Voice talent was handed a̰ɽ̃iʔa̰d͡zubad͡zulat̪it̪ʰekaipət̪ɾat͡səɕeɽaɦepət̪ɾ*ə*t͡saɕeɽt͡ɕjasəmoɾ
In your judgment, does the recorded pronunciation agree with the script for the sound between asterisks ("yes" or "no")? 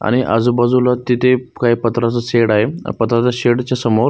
no